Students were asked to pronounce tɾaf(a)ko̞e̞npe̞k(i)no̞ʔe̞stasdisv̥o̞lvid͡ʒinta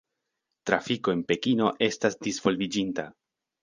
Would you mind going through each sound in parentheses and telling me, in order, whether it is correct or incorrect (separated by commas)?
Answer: incorrect, correct